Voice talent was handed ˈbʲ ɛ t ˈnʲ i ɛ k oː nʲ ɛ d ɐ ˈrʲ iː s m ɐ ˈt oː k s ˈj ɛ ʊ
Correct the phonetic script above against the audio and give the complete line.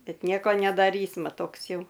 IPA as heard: ˈbʲ ɛ t ˈnʲ i ɛ k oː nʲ ɛ d ɐ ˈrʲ iː s m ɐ ˈt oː k s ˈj ɛ ʊ